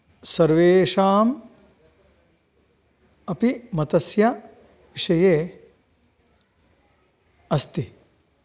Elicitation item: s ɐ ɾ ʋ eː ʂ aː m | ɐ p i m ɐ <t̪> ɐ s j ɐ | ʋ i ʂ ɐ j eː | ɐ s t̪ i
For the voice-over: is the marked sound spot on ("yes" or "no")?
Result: yes